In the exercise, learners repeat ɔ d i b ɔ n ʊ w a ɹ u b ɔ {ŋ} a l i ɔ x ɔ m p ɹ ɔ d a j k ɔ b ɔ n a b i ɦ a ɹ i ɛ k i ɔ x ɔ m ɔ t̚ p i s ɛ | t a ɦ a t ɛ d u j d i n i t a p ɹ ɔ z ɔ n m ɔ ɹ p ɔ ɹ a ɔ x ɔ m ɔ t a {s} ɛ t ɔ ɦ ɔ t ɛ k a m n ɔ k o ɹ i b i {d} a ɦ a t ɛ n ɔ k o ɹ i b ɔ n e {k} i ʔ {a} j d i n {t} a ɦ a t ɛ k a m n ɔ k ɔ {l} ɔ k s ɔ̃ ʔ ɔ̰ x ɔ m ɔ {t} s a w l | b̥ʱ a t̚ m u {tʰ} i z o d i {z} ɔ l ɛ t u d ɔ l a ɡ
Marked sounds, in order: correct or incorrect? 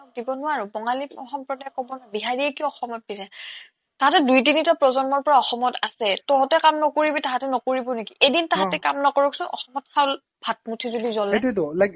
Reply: correct, correct, incorrect: t, correct, incorrect: e, correct, incorrect: ɹ, correct, correct, correct

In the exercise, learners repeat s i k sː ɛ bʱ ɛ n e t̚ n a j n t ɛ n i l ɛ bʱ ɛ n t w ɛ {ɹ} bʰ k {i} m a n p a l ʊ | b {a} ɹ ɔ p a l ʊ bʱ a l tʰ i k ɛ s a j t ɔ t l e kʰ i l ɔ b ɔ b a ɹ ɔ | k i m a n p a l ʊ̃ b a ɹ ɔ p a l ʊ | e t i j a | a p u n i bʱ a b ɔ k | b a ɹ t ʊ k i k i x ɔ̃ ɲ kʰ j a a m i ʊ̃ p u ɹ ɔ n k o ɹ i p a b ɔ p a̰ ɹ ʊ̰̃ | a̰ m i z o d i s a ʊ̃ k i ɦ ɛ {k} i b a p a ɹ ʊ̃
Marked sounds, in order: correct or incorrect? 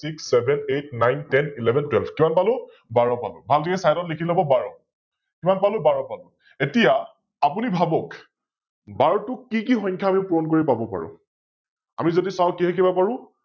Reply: incorrect: l, correct, correct, correct

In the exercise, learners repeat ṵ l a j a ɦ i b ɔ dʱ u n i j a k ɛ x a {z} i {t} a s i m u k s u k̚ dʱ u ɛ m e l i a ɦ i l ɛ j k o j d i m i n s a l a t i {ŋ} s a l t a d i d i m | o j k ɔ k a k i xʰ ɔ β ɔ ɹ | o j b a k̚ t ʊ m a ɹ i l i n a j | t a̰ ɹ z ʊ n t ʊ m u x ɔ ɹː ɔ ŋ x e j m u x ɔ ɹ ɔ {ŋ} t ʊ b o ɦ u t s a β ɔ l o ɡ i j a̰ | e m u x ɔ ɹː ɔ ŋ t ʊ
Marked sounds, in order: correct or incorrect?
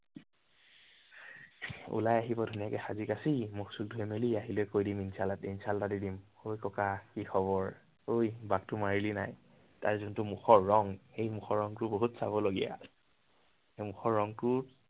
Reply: correct, incorrect: k, incorrect: n, correct

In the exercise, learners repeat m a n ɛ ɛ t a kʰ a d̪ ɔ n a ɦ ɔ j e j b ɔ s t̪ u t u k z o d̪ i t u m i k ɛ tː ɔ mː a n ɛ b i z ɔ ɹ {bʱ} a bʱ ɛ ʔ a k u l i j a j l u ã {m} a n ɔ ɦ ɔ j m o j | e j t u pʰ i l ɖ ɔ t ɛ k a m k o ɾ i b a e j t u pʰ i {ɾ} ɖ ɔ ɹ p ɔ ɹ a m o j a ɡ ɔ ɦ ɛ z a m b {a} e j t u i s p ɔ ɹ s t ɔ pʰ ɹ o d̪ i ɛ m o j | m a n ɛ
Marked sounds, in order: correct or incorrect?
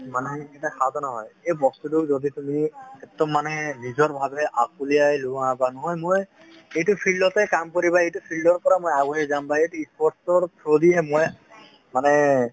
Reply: correct, incorrect: b, incorrect: l, correct

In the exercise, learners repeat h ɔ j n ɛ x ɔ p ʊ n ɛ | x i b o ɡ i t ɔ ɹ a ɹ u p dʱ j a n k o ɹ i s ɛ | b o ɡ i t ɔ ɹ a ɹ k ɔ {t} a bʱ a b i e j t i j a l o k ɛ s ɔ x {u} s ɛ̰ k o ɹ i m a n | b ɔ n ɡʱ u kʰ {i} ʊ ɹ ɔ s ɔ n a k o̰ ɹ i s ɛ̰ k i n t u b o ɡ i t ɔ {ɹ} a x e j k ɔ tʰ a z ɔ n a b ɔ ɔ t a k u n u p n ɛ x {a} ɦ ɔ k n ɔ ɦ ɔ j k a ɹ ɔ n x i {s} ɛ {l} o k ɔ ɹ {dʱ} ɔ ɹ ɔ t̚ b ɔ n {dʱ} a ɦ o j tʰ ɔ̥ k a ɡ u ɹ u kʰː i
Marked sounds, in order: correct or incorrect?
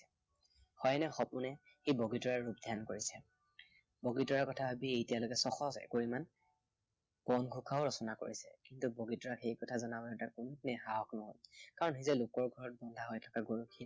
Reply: incorrect: tʰ, incorrect: ɔ, incorrect: a, correct, correct, incorrect: z, correct, incorrect: ɡʱ, correct

